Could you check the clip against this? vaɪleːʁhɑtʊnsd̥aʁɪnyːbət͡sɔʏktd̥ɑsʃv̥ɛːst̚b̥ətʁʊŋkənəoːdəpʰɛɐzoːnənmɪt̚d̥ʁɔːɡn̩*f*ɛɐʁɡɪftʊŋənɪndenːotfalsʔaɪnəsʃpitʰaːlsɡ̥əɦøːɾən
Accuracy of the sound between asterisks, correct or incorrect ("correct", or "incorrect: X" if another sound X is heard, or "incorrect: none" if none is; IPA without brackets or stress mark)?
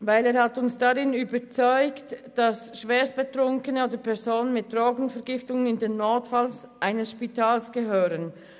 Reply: correct